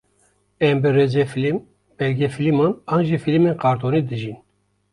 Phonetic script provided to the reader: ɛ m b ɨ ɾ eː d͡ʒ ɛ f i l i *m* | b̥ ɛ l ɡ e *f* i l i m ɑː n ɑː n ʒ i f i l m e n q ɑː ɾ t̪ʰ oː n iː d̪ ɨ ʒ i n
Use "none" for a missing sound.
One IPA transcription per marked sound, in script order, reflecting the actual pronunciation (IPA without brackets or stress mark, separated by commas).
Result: m, f